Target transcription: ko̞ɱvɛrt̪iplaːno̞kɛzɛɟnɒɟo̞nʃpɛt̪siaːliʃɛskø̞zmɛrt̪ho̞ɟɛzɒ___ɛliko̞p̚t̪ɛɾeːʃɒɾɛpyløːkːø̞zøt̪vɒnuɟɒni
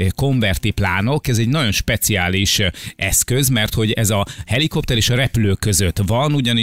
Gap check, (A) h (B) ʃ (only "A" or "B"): A